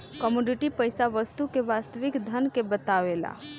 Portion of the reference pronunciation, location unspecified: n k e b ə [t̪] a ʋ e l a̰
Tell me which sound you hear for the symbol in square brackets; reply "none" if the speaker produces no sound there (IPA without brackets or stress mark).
t̪